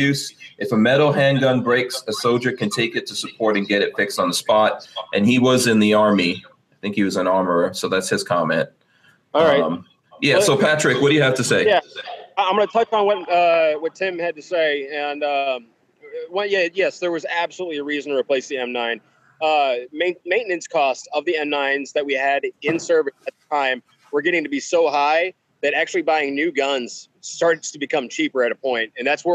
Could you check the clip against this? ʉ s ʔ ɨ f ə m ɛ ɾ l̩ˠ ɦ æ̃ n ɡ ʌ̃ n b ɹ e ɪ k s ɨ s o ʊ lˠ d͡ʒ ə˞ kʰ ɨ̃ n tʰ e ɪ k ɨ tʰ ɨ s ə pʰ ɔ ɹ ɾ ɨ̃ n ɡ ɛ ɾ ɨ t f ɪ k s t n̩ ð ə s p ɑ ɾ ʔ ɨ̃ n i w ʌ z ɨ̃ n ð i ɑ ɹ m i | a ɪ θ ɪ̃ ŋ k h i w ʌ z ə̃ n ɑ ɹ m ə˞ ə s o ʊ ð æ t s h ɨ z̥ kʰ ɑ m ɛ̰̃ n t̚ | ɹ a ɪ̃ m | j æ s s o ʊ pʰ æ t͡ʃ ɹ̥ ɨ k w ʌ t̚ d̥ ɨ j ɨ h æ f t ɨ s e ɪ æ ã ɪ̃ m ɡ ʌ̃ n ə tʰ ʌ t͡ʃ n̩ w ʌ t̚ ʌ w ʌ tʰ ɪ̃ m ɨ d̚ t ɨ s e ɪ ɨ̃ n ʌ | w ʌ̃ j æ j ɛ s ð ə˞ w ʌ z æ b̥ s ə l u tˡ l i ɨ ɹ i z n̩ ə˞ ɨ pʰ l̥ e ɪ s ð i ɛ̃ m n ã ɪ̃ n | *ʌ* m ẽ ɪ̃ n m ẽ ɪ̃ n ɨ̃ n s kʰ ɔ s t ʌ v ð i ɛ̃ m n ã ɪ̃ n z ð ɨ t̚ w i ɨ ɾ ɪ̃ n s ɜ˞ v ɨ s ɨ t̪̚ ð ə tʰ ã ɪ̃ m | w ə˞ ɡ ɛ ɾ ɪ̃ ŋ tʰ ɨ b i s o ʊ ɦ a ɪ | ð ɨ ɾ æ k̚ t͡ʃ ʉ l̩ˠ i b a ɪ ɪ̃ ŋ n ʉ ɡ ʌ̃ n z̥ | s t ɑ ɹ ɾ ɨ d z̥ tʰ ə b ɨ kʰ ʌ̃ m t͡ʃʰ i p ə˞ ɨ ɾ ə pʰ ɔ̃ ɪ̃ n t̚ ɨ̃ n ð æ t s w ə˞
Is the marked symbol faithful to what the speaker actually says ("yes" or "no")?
yes